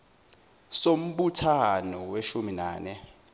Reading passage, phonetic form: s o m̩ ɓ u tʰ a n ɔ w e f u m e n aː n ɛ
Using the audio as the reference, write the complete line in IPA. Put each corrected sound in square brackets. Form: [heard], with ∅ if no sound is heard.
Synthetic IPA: s o m̩ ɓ u tʰ a n ɔ w e [ʃ] u m [i] n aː n ɛ